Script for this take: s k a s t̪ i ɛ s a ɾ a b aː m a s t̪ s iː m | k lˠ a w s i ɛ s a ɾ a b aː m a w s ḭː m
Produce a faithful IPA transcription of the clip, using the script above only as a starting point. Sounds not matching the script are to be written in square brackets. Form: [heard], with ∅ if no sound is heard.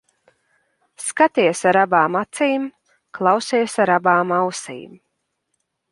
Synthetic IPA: s k a [∅] t̪ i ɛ s a ɾ a b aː m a [∅] t̪ s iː m | k lˠ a w s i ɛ s a ɾ a b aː m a w s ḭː m